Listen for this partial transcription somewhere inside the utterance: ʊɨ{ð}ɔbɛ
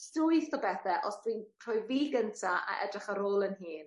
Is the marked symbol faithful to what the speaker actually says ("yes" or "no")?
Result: no